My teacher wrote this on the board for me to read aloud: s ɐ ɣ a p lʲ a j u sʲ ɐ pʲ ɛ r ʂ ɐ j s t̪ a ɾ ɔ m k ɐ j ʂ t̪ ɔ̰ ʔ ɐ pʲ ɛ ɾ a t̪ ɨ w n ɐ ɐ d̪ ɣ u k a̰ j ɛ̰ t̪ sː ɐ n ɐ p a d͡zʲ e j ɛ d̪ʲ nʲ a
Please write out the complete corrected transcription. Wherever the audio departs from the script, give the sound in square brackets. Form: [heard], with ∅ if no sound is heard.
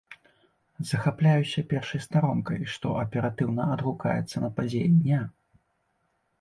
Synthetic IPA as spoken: [z] ɐ [x] a p lʲ a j u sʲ ɐ pʲ ɛ r ʂ ɐ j s t̪ a ɾ ɔ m k ɐ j ʂ t̪ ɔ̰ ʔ ɐ pʲ ɛ ɾ a t̪ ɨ w n ɐ ɐ d̪ ɣ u k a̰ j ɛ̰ t̪ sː ɐ n ɐ p a d͡zʲ e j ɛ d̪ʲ nʲ a